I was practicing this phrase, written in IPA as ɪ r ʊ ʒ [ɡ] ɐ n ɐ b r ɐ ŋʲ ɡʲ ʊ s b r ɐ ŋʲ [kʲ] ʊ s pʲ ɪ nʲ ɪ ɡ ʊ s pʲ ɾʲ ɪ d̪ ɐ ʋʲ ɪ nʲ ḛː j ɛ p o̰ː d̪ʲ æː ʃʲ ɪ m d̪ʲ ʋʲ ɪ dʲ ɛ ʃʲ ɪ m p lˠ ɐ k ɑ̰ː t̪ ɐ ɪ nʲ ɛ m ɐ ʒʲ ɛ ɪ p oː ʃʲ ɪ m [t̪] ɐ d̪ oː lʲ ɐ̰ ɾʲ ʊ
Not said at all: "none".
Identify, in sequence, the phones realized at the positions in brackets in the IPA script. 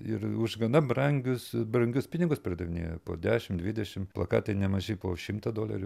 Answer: ɡ, ɡʲ, t̪

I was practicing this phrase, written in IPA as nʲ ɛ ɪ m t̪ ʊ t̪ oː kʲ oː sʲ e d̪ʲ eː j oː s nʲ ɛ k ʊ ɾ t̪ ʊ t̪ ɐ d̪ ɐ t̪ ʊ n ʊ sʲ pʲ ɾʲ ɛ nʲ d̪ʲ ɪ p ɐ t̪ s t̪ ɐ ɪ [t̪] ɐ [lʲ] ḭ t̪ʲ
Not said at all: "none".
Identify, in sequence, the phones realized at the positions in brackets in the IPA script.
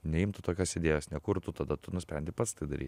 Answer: d̪, ɾʲ

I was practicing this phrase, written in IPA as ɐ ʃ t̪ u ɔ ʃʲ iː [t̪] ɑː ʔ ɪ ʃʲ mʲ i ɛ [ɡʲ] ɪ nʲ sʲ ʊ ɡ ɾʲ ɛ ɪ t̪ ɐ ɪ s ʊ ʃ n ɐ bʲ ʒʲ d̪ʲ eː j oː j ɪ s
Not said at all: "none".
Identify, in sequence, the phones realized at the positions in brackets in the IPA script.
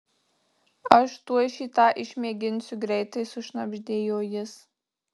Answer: t̪, ɡʲ

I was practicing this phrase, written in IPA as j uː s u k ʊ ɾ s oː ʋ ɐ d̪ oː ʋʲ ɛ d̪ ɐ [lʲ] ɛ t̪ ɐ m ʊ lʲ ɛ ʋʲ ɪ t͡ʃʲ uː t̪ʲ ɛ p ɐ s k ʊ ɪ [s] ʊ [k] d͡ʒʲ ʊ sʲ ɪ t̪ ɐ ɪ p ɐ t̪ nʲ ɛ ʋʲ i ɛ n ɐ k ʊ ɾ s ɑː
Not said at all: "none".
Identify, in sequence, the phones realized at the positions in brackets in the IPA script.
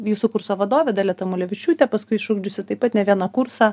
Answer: lʲ, ʃ, ɡ

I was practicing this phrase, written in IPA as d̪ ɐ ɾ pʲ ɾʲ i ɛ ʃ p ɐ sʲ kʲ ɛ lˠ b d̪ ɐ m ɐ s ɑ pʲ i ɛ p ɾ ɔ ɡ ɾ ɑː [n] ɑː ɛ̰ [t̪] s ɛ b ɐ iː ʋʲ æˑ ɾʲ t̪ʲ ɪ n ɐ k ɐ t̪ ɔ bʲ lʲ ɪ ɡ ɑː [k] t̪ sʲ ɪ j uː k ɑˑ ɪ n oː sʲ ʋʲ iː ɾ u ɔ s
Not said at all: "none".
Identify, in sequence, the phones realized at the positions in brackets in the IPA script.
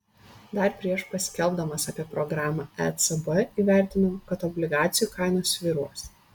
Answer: m, t̪, none

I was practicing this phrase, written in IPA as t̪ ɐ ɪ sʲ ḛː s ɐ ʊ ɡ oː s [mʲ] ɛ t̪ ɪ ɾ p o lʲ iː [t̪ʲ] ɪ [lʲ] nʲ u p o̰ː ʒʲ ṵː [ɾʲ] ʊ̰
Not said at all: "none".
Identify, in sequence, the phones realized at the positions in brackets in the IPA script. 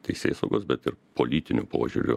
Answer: bʲ, t̪ʲ, none, ɾʲ

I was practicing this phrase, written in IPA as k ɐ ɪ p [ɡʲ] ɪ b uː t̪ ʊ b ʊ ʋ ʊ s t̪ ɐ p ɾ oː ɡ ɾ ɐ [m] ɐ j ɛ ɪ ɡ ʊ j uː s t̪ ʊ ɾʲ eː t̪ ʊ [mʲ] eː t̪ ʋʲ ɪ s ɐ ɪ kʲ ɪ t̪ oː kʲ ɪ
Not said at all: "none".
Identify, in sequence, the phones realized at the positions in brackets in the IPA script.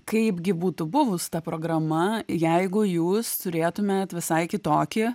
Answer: ɡʲ, m, mʲ

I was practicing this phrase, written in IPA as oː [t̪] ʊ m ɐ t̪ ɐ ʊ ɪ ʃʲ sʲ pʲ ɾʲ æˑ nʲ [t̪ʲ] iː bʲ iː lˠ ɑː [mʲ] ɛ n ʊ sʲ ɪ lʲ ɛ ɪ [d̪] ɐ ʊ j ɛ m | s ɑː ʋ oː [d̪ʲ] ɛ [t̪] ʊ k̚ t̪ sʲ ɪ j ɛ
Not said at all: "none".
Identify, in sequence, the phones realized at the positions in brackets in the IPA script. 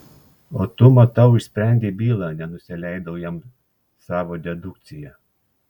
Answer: t̪, d̪ʲ, nʲ, d̪, d̪ʲ, d̪

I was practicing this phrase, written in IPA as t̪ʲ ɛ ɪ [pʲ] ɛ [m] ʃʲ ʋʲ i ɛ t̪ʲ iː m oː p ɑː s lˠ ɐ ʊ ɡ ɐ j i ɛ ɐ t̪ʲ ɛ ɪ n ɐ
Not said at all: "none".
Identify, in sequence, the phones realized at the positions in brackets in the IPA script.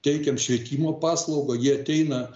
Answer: kʲ, m

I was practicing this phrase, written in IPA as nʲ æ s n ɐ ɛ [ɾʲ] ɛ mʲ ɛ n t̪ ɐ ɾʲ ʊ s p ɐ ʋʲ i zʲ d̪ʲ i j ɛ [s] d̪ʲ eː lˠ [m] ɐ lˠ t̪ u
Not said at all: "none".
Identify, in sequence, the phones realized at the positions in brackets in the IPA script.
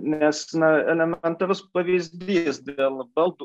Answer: lʲ, s, b

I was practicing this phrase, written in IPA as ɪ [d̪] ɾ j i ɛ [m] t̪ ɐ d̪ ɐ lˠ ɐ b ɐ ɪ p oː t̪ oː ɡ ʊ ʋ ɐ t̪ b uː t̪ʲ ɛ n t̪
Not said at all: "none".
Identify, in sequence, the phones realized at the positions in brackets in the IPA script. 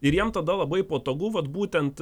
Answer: none, m

